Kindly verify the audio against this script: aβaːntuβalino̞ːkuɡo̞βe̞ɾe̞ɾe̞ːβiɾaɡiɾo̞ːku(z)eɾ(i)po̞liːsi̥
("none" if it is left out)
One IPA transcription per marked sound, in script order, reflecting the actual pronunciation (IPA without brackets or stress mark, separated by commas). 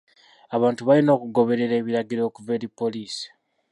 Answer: v, i